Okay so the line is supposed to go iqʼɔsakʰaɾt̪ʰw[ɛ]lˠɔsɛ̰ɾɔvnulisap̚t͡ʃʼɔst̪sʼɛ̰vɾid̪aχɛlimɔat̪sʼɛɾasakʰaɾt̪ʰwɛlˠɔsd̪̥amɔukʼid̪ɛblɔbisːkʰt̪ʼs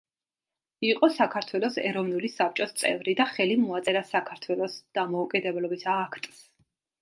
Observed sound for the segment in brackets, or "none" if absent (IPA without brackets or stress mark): ɛ